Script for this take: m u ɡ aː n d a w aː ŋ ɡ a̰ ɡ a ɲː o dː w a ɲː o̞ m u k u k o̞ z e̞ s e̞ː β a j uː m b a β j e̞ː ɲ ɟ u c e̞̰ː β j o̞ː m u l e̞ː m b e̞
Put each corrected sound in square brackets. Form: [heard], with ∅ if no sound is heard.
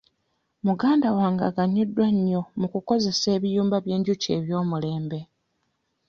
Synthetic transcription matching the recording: m u ɡ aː n d a w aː ŋ ɡ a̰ ɡ a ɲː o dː w a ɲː o̞ m u k u k o̞ z e̞ s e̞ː β [i] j uː m b a β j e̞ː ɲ ɟ u c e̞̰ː β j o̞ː m u l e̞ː m b e̞